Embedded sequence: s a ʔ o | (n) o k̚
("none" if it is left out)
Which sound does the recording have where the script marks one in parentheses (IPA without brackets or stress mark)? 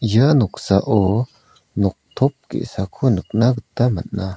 n